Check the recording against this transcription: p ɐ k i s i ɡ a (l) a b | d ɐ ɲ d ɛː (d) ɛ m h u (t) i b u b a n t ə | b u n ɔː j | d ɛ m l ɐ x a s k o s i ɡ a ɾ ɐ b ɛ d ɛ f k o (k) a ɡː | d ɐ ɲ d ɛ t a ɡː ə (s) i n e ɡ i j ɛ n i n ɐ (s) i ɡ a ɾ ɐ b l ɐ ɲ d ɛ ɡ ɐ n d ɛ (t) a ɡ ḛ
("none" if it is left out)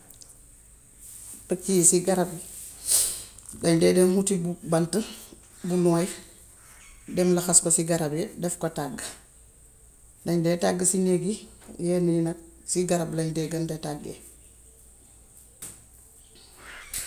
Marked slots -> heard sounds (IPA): ɾ, d, t, t, s, s, t

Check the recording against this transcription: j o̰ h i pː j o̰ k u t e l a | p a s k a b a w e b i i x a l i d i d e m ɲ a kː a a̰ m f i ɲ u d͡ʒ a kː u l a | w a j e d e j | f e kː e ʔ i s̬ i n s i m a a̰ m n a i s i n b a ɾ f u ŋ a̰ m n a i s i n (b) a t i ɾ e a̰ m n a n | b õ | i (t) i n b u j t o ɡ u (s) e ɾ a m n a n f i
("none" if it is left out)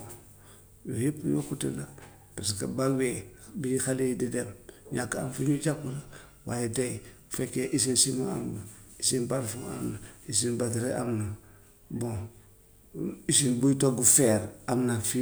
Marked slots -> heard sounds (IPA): b, s, f

